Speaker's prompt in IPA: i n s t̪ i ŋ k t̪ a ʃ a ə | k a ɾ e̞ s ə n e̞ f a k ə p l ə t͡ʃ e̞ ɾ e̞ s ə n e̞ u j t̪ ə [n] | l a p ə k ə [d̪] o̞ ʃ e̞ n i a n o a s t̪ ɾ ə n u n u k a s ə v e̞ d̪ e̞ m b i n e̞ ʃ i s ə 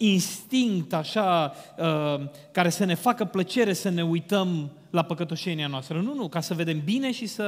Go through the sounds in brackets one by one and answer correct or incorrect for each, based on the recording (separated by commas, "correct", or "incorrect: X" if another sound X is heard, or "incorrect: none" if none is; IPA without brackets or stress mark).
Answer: incorrect: m, incorrect: t̪